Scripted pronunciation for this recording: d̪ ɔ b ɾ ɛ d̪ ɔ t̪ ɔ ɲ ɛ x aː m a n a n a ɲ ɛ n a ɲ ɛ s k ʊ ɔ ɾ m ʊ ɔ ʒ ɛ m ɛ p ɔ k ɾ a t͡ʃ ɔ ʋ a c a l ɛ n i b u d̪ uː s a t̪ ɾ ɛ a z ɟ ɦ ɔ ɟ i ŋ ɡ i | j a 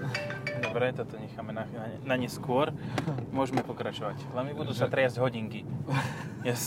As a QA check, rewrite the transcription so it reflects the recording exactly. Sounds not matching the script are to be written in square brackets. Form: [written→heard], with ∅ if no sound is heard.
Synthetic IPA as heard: d̪ ɔ b ɾ ɛ [d̪→t̪] ɔ t̪ ɔ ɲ ɛ x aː m [a→ɛ] n a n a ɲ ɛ n a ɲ ɛ s k ʊ ɔ ɾ m ʊ ɔ ʒ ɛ m ɛ p ɔ k ɾ a t͡ʃ ɔ ʋ a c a l ɛ [n→m] i b u d̪ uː s a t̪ ɾ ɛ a z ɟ ɦ ɔ ɟ i ŋ [ɡ→k] i | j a